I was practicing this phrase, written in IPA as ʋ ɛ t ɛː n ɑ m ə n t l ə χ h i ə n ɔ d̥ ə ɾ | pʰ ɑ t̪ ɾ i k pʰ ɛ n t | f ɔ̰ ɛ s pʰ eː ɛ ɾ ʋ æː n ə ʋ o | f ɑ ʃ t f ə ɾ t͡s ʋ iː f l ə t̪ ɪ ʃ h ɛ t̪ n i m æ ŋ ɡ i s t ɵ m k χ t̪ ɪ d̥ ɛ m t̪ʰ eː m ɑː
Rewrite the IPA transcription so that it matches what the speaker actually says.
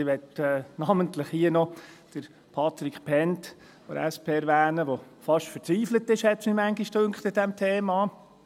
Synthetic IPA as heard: ʋ ɛ t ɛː n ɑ m ə n t l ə χ h i ə n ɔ d̥ ə ɾ | pʰ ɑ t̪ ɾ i k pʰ ɛ n t | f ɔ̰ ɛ s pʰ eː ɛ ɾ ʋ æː n ə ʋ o | f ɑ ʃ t f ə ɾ t͡s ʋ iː f l ə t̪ ɪ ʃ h ɛ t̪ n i m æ ŋ ɡ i ʃ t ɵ ŋ k χ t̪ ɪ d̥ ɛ m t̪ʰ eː m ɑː